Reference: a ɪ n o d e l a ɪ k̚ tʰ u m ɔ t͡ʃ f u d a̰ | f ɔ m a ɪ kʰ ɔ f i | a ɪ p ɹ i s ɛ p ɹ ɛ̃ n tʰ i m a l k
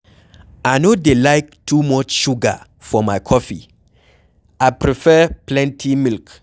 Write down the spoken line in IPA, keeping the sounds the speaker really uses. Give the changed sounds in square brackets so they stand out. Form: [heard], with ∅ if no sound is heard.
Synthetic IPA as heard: a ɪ n o d e l a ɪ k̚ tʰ u m ɔ t͡ʃ [ʃ] u [ɡ] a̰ | f ɔ m a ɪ kʰ ɔ f i | a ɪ p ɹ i [f] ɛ p [l] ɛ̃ n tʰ i m [i] l k